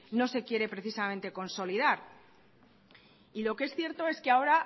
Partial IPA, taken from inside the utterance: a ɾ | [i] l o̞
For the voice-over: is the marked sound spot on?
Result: yes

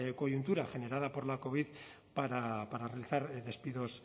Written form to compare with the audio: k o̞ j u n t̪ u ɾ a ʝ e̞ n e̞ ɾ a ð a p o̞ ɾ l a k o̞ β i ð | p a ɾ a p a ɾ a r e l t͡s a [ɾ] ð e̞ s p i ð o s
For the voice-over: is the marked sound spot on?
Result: yes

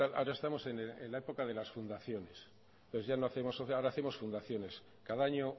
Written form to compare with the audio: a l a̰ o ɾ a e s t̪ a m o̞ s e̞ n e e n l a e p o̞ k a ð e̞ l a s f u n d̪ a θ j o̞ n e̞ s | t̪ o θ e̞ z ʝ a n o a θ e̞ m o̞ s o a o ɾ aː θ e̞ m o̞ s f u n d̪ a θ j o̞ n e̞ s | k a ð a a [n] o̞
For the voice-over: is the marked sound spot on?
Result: no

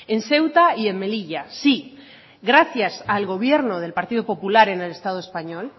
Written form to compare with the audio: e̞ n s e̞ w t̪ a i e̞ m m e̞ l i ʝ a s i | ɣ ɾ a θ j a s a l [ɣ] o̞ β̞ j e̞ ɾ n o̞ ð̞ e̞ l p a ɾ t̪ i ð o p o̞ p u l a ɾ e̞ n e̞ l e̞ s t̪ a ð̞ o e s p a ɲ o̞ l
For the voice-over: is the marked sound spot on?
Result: yes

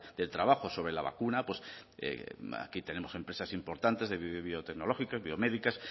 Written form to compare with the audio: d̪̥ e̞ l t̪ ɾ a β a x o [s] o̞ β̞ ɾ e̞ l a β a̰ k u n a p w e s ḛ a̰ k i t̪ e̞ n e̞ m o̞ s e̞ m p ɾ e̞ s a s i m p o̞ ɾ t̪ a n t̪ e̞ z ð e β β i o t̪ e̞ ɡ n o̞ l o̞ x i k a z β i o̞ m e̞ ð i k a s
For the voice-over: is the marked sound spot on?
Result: yes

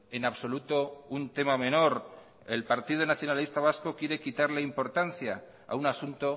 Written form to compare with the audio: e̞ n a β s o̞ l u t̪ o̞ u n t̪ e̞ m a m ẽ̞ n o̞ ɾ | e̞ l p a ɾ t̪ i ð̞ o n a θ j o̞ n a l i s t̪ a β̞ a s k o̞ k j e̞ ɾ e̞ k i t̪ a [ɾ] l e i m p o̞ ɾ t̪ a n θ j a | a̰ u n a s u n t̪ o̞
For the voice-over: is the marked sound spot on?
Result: yes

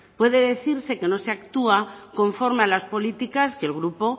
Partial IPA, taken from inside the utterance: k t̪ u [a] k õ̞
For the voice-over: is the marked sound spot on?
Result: yes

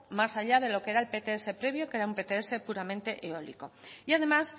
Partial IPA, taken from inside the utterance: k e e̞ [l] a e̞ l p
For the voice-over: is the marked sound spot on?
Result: no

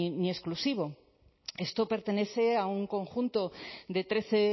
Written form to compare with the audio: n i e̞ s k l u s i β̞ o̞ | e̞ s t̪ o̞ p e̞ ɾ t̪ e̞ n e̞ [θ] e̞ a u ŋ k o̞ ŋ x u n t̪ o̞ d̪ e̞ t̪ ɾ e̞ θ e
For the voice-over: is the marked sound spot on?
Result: yes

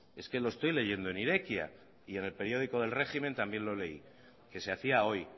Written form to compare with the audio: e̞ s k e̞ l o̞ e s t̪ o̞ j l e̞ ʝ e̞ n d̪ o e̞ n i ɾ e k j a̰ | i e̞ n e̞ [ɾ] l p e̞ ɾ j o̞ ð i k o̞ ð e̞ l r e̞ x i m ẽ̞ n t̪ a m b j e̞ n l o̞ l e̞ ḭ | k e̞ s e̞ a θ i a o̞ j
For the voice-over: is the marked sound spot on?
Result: no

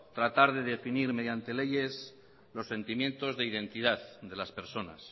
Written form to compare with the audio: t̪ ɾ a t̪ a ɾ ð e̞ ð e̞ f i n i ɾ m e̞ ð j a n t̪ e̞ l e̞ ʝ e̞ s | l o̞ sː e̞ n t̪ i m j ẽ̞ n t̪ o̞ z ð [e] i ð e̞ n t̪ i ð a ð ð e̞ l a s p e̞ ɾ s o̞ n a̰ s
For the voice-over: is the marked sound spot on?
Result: yes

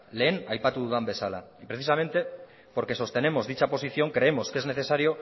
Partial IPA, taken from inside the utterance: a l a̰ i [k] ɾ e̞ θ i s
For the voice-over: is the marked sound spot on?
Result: no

